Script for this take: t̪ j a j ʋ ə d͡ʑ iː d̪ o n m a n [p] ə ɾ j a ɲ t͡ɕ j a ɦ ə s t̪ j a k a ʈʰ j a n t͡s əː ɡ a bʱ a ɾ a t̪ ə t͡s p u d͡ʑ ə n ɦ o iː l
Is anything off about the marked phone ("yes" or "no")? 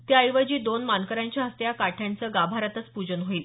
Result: yes